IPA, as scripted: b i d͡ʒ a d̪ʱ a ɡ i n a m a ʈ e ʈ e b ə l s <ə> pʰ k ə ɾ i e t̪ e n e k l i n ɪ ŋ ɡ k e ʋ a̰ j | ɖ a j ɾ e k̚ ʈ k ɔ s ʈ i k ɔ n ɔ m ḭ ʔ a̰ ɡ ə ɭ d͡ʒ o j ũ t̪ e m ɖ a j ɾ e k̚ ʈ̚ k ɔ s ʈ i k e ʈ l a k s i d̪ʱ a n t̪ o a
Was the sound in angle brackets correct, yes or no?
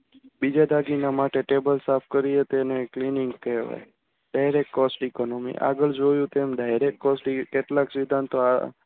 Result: no